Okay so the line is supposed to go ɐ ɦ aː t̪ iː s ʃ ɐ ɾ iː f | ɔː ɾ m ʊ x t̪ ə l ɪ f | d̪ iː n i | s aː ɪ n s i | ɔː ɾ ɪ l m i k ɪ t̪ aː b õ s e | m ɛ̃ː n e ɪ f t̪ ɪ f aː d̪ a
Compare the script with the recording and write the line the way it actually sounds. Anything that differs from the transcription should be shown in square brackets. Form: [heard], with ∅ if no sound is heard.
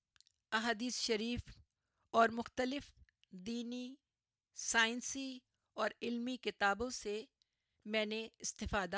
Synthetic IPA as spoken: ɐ ɦ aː [d̪] iː s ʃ ɐ ɾ iː f | ɔː ɾ m ʊ x t̪ ə l ɪ f | d̪ iː n i | s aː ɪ n s i | ɔː ɾ ɪ l m i k ɪ t̪ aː b õ s e | m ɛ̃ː n e ɪ [s] t̪ ɪ f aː d̪ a